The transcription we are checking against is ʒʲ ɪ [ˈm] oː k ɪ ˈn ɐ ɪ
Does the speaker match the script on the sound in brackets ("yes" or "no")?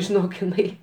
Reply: no